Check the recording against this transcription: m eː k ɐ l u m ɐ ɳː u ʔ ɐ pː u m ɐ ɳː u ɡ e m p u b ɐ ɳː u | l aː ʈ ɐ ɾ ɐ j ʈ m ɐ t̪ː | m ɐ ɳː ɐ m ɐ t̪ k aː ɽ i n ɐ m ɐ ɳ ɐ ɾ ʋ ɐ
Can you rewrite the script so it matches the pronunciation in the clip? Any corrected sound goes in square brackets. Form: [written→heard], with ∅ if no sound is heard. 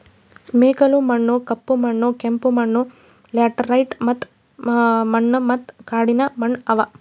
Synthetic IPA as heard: m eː k ɐ l u m ɐ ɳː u [ʔ→k] ɐ pː u m ɐ ɳː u [ɡ→k] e m p u [b→m] ɐ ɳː u | l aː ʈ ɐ ɾ ɐ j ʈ m ɐ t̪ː | m ɐ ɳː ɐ m ɐ t̪ k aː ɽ i n ɐ m ɐ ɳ ɐ [ɾ→∅] ʋ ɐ